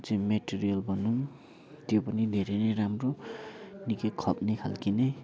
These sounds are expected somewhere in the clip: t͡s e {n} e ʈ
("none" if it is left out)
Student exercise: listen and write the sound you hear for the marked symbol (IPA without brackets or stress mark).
m